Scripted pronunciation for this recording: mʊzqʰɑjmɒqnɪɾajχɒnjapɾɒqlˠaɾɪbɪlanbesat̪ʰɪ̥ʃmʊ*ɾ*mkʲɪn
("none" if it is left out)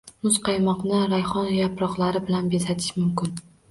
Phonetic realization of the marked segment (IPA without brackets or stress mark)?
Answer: none